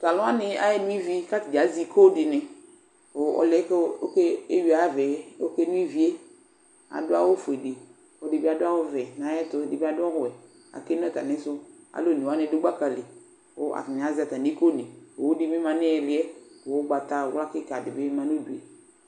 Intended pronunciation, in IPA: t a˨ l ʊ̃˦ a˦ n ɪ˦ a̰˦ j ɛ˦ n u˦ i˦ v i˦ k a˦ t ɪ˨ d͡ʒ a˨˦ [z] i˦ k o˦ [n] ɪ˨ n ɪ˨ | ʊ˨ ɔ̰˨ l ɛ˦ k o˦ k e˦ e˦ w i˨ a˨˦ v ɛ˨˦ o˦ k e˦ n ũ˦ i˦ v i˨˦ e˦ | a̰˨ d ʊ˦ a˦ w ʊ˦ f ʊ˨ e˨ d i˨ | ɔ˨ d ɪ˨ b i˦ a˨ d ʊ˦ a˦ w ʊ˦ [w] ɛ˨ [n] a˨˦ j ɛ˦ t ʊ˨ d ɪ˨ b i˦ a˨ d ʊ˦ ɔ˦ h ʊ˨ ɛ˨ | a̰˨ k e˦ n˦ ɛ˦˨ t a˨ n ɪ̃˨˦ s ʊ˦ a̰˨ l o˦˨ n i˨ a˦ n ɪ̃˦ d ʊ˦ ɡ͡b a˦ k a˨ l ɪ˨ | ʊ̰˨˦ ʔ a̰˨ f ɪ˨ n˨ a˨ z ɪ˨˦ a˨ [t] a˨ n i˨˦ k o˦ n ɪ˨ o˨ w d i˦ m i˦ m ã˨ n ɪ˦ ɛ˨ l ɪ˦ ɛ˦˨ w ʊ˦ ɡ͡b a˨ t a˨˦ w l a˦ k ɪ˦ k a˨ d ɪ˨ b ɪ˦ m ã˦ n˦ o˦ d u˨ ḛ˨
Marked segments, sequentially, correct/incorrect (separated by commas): correct, incorrect, incorrect, correct, correct